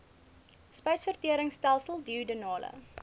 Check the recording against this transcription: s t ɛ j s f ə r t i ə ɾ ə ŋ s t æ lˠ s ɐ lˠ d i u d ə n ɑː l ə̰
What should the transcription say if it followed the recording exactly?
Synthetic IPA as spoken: s p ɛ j s f ə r t i ə ɾ ə ŋ s t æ lˠ s ə lˠ d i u d ə n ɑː l ə̰